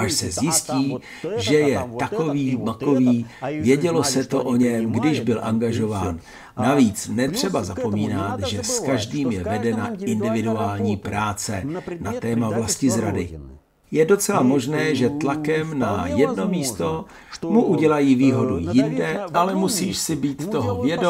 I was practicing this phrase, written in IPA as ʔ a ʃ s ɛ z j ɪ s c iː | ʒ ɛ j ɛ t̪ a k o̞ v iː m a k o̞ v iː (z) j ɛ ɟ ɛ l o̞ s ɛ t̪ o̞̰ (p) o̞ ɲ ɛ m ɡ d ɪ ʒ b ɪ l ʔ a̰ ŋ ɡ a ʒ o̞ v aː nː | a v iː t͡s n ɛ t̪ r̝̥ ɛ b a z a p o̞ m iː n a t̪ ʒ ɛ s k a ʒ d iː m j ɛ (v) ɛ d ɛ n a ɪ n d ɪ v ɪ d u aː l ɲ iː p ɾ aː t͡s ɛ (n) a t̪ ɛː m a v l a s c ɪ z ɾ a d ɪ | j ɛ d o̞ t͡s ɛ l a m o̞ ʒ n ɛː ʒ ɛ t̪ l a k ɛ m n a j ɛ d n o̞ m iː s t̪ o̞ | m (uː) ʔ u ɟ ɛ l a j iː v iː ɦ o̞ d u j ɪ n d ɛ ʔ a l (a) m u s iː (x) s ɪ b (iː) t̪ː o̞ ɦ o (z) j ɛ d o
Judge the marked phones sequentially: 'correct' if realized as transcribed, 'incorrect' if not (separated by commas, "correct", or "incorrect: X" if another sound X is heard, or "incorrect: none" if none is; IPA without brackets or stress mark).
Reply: incorrect: v, incorrect: ʔ, correct, correct, incorrect: u, incorrect: ɛ, incorrect: ʃ, correct, incorrect: v